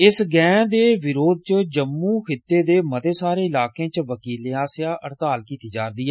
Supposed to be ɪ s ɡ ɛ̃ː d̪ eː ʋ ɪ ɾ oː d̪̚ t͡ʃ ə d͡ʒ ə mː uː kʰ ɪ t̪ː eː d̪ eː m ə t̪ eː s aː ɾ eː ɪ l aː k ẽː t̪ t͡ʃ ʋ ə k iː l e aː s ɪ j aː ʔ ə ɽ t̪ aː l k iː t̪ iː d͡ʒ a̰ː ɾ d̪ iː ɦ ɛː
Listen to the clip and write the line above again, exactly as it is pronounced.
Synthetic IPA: ɪ s ɡ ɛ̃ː d̪ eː ʋ ɪ ɾ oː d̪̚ t͡ʃ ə d͡ʒ ə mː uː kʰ ɪ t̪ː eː d̪ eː m ə t̪ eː s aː ɾ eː ɪ l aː k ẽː t͡ʃ ʋ ə k iː l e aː s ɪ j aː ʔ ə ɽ t̪ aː l k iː t̪ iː d͡ʒ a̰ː ɾ d̪ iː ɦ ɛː